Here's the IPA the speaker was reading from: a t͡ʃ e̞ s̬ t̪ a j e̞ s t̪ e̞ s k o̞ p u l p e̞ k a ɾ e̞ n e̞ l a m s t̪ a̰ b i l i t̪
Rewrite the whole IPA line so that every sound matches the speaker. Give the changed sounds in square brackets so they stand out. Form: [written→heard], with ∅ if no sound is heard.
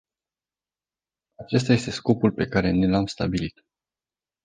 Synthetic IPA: a t͡ʃ e̞ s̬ t̪ a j e̞ s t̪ e̞ s k o̞ p u l p e̞ k a ɾ e̞ n e̞ l a m s t̪ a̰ b i l i t̪